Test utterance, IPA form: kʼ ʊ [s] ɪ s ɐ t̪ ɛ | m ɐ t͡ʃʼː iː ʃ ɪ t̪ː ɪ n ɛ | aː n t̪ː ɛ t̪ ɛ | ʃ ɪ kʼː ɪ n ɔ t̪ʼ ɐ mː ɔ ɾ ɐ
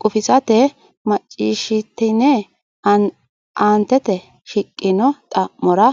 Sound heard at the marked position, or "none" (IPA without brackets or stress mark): f